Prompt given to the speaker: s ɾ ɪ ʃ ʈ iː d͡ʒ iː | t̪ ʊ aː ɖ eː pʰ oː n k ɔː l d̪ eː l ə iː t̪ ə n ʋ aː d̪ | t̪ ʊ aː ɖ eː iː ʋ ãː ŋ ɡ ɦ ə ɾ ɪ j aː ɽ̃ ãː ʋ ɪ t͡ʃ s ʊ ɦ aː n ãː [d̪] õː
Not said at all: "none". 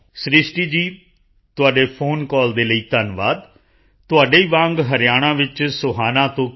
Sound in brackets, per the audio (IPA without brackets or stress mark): t̪